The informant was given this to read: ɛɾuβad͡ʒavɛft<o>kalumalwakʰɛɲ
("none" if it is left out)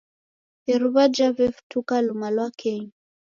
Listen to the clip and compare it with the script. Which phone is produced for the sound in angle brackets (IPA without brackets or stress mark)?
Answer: u